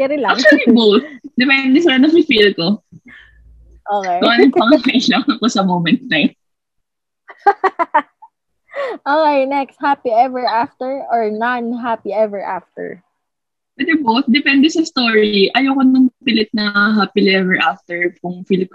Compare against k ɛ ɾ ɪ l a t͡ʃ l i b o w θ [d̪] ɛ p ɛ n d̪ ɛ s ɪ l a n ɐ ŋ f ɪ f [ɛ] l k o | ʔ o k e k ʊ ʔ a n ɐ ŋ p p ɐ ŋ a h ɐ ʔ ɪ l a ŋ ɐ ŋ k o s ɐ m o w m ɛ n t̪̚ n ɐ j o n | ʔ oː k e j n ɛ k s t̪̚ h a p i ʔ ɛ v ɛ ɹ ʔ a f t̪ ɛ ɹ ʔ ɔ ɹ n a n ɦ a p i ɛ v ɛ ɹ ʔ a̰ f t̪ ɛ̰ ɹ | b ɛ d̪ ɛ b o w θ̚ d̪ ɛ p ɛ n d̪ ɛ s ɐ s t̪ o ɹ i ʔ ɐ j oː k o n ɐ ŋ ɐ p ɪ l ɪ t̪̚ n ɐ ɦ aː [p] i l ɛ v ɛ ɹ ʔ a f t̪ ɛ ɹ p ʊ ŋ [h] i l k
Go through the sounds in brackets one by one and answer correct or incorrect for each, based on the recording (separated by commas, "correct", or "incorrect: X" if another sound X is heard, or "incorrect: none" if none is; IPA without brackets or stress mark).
correct, incorrect: i, correct, incorrect: f